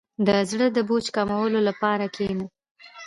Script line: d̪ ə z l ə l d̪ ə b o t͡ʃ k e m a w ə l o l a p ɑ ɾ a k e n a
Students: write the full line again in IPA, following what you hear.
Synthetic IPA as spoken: d̪ ə z ɽ ə d̪ ə b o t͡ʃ k a m a w ə l o l a p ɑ ɾ a k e n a

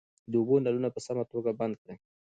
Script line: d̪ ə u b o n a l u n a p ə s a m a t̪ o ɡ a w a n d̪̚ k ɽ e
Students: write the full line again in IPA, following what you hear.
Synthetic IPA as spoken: d̪ ə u b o n a l u n a p ə s a m a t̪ o ɡ a b a n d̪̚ k ɽ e

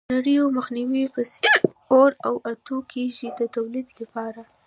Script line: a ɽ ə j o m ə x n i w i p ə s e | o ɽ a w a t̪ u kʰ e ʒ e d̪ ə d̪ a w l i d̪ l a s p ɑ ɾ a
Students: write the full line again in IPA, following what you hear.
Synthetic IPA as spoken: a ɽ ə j o m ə x n i w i p ə s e | o ɾ a w a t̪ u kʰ e ʒ i d̪ ə t̪ a w l i d̪ l a p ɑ ɾ a

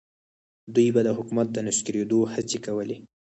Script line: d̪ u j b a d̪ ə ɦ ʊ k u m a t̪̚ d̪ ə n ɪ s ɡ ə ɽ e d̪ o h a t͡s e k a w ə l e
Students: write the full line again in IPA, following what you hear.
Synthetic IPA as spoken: d̪ u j b a d̪ ə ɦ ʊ k u m a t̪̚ d̪ ə n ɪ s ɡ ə ɾ e d̪ o h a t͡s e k a w ə l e

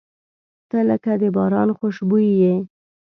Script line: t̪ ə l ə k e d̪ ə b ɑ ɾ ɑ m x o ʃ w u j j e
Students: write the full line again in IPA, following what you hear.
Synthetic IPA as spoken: t̪ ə l ə k a d̪ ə b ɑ ɾ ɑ n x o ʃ b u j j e

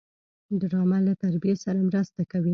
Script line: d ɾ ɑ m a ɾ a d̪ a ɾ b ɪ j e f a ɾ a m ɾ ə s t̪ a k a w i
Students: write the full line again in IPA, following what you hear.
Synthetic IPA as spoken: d ɾ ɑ m a l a t̪ a ɾ b i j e s a ɾ a m ɾ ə s t̪ a k a w i

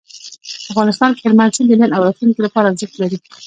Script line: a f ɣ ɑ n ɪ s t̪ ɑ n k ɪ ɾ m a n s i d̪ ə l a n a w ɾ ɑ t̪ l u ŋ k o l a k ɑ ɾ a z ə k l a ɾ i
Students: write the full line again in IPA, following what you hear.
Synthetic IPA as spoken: a f ɣ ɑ n ɪ s t̪ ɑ n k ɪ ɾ m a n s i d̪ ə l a n a w ɾ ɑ t̪ l u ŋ k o l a p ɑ ɾ a z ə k l a ɾ i

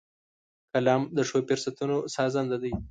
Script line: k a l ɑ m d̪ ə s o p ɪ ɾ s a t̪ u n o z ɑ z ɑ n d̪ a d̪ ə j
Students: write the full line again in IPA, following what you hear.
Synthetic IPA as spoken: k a l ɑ m d̪ ə ʂ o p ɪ ɾ s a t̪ u n o s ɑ z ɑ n d̪ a d̪ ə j

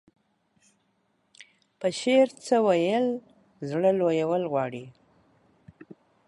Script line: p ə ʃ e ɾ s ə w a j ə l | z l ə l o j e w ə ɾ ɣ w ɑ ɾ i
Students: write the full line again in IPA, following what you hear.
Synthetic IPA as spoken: p ə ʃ e ɾ t͡s ə w a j ə l | z ɽ ə l o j a w ə l ɣ w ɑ ɽ i

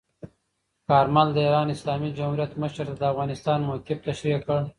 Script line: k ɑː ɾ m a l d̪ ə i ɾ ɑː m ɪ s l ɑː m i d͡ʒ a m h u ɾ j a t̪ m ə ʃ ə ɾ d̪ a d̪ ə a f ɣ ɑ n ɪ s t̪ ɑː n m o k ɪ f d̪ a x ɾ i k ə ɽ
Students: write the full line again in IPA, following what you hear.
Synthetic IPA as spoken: k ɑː ɾ m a l d̪ ə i ɾ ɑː n ɪ s l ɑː m i d͡ʒ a m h u ɾ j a t̪ m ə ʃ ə ɾ t̪ a d̪ ə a f ɣ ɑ n ɪ s t̪ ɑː n m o k ɪ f t̪ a ʃ ɾ i k ə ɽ

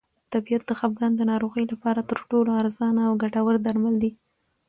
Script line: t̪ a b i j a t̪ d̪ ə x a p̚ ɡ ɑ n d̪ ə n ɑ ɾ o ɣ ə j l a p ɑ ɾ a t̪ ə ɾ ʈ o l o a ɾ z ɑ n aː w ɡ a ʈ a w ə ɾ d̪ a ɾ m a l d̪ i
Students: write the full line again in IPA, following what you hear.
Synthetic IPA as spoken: t̪ a b i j a t̪ d̪ ə x a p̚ ɡ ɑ n d̪ ə n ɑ ɾ o ɣ ə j l a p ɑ ɾ a t̪ ə ɾ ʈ o l o a ɾ z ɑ n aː w ɡ a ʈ a w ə ɾ d̪ a ɾ m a l d̪ i

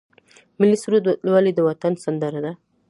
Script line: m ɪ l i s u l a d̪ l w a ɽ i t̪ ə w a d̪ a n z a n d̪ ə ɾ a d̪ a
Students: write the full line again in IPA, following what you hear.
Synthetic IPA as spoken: m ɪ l i s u ɾ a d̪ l w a l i d̪ ə w a t̪ a n s a n d̪ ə ɾ a d̪ a

